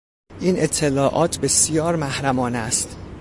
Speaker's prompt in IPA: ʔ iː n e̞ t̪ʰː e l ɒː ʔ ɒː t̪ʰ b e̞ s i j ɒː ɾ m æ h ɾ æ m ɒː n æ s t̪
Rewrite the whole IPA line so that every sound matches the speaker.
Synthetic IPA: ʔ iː n e̞ t̪ʰː e l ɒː ʔ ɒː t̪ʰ b e̞ s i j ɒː ɾ m æ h ɾ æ m ɒː n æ s t̪